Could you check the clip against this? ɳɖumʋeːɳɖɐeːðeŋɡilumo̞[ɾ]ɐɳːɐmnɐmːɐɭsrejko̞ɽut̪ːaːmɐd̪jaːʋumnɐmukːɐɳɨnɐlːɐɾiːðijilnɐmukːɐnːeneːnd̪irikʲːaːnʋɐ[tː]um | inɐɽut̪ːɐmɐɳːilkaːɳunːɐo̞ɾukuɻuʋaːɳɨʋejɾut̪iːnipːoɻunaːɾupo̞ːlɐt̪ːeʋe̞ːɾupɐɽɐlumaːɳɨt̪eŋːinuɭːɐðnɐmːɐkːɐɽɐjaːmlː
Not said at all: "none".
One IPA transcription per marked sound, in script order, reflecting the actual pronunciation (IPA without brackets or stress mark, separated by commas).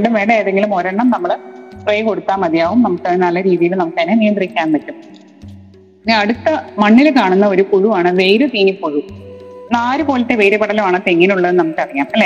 ɾ, tː